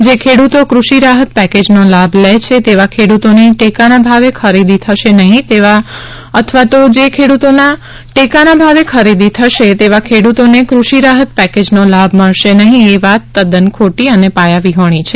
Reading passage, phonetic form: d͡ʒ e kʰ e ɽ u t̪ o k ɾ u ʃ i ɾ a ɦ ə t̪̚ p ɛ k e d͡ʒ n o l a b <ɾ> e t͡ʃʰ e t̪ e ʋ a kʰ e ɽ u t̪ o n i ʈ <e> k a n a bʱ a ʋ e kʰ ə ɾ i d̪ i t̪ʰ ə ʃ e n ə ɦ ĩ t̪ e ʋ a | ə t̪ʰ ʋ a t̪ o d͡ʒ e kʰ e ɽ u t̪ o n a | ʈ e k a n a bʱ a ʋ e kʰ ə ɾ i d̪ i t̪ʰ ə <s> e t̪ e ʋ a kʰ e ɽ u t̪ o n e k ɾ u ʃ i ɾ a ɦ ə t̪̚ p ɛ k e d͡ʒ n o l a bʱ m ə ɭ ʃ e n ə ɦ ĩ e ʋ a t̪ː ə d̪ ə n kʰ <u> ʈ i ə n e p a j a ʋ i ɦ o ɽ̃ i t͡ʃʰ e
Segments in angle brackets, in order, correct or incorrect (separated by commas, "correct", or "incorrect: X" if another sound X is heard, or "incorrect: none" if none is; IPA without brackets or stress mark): incorrect: l, correct, incorrect: ʃ, incorrect: o